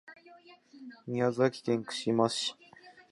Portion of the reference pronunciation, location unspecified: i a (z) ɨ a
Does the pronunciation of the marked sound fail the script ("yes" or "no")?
no